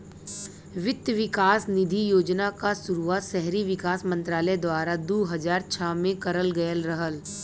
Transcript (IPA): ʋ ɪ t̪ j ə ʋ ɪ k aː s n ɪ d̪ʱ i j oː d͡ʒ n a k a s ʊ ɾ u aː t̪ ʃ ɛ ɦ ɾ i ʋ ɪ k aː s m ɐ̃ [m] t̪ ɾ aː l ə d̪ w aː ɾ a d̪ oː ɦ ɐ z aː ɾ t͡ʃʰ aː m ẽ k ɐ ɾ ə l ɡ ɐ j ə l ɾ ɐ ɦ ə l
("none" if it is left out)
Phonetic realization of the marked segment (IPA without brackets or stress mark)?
n